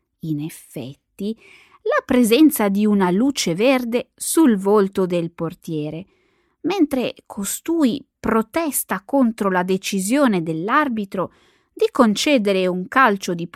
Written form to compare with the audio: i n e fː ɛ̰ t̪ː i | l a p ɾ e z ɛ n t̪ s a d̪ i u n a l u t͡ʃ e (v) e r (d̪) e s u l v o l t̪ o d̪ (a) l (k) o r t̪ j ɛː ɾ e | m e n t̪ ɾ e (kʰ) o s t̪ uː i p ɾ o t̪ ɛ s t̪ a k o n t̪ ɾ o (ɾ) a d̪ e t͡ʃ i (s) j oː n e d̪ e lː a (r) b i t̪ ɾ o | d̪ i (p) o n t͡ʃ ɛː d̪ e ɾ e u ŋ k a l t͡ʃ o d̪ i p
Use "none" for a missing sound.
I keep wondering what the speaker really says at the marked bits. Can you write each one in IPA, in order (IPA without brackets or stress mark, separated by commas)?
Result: v, d̪, e, p, kʰ, l, z, r, k